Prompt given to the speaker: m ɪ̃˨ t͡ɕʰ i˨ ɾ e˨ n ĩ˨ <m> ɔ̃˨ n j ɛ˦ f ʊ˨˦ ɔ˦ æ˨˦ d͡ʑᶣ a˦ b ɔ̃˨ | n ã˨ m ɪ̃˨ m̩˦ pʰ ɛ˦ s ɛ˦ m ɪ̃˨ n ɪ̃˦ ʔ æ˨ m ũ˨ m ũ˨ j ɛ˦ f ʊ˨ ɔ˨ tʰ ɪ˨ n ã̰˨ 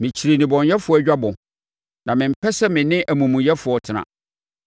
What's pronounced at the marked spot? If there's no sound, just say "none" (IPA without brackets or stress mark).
b